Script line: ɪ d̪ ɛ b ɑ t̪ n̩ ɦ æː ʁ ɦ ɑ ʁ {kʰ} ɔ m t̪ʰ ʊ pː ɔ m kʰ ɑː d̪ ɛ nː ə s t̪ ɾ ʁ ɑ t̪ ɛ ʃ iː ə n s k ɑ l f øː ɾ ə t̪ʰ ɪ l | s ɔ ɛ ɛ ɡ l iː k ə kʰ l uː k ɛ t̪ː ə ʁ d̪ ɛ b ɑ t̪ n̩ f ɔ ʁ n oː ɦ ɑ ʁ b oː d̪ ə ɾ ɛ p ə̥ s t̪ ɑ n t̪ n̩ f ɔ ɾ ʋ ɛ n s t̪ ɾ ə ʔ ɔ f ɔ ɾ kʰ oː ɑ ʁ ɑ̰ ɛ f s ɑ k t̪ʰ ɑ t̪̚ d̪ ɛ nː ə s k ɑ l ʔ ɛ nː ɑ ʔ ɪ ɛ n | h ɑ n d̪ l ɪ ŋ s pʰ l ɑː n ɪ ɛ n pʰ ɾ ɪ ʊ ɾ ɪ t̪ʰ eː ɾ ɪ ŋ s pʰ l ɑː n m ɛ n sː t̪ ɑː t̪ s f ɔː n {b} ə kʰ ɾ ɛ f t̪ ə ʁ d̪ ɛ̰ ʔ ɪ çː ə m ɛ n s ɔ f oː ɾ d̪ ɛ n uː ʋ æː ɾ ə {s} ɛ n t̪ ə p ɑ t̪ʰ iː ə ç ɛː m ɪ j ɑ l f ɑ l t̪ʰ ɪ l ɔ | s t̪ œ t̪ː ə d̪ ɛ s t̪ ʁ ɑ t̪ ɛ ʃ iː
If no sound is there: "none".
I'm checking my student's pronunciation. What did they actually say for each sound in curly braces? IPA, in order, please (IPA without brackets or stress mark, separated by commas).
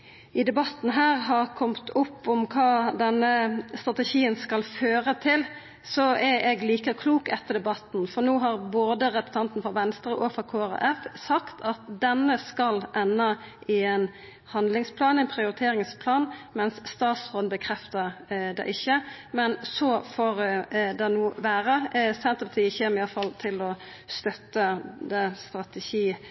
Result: kʰ, b, s